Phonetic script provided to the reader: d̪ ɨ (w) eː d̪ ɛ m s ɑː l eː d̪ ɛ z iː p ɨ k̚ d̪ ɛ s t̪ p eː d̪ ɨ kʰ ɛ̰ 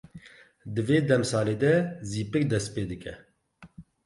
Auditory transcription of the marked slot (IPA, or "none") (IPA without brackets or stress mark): v